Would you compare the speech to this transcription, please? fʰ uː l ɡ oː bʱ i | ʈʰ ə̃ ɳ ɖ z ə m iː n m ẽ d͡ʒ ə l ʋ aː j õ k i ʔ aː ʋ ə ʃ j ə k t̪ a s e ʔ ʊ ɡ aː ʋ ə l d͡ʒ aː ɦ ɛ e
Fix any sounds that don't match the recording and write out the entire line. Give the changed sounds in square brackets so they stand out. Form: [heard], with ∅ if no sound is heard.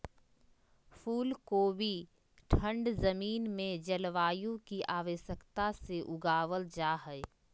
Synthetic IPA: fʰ uː l [k] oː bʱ i | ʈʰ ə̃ ɳ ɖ z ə m iː n m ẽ d͡ʒ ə l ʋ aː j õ k i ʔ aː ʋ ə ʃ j ə k t̪ a s e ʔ ʊ ɡ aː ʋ ə l d͡ʒ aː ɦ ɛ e